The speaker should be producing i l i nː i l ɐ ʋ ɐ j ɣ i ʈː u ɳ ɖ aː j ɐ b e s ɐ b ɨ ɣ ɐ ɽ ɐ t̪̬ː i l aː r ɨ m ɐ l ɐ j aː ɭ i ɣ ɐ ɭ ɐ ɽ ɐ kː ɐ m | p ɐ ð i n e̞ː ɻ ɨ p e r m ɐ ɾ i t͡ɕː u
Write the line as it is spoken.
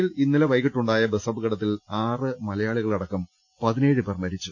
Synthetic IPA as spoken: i l i nː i l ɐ ʋ ɐ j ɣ i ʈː u ɳ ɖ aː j ɐ b e s ɐ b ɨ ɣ ɐ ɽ ɐ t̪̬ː i l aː r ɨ m ɐ l ɐ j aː ɭ i ɣ ɐ ɭ ɐ ɽ ɐ kː ɐ m | p ɐ ð i n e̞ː ɻ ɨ p e r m ɐ ɾ i t͡ɕː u

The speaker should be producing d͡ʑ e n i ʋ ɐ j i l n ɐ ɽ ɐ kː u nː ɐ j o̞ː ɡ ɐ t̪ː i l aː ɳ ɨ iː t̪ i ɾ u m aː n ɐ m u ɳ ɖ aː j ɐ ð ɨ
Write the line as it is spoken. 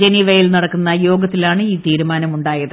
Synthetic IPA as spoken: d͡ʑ e n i ʋ ɐ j i l n ɐ ɽ ɐ kː u nː ɐ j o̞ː ɡ ɐ t̪ː i l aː ɳ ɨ iː t̪ iː ɾ u m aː n ɐ m u ɳ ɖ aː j ɐ ð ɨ

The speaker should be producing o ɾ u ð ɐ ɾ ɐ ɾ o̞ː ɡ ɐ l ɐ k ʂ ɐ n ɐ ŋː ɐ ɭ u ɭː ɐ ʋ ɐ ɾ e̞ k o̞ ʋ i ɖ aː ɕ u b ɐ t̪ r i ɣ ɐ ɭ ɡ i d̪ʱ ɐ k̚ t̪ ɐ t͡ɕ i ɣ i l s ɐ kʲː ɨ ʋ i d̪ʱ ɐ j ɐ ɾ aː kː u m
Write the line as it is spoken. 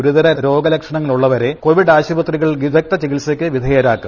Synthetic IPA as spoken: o ɾ u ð ɐ ɾ ɐ ɾ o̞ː ɡ ɐ l ɐ k ʂ ɐ ɳ ɐ ŋː ɐ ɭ u ɭː ɐ ʋ ɐ ɾ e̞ k o̞ ʋ i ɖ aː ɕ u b ɐ t̪ r i ɣ ɐ ɭ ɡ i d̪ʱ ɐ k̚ t̪ ɐ t͡ɕ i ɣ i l s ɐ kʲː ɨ ʋ i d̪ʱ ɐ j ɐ ɾ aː kː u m

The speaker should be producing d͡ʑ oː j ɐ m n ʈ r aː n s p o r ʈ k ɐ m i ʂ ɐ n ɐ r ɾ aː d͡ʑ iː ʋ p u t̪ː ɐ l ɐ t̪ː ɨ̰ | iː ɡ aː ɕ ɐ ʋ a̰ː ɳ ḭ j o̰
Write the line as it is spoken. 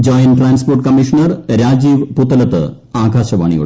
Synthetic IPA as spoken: d͡ʑ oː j ɐ n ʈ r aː n s p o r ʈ k ɐ m i ʂ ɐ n ɐ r ɾ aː d͡ʑ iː ʋ p u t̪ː ɐ l ɐ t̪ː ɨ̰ | aː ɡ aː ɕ ɐ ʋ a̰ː ɳ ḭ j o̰

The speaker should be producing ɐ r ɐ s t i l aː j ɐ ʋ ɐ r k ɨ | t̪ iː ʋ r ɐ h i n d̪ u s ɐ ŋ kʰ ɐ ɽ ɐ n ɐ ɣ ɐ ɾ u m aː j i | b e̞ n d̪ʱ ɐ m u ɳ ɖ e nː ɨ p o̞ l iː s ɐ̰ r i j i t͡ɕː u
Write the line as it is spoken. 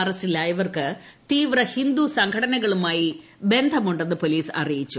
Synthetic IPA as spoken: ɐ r ɐ s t i l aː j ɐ ʋ ɐ r k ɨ | t̪ iː ʋ r ɐ h i n d̪ u s ɐ ŋ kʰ ɐ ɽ ɐ n ɐ ɣ ɐ ɭ u m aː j i | b e̞ n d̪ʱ ɐ m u ɳ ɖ e nː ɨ p o̞ l iː s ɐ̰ r i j i t͡ɕː u

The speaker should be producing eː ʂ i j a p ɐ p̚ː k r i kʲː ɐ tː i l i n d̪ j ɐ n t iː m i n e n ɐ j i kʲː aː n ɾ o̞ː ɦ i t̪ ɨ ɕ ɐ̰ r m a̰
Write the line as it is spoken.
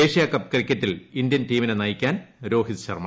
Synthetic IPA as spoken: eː ʂ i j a k ɐ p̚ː k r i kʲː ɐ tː i l i n d̪ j ɐ n t iː m i n e n ɐ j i kʲː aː n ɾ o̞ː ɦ i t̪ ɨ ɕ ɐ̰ r m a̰

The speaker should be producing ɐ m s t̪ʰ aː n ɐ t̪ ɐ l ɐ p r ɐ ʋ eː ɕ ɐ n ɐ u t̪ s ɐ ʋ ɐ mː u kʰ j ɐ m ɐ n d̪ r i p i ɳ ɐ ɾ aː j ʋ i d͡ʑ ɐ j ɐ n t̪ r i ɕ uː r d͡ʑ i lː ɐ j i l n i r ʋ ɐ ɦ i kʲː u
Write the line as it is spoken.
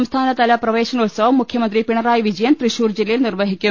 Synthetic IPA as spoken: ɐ m s t̪ʰ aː n ɐ t̪ ɐ l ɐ p r ɐ ʋ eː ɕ ɐ n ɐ u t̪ s ɐ ʋ ɐ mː u kʰ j ɐ m ɐ n d̪ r i p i ɳ ɐ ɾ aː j ʋ i d͡ʑ ɐ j ɐ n t̪ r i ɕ uː r d͡ʑ i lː ɐ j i l n i r ʋ ɐ ɦ i kʲː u

